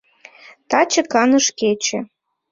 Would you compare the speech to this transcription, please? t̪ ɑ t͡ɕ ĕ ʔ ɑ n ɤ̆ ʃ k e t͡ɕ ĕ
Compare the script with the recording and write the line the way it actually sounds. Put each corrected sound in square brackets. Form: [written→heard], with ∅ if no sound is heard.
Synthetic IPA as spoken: t̪ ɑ t͡ɕ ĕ [ʔ→k] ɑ n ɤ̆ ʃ k e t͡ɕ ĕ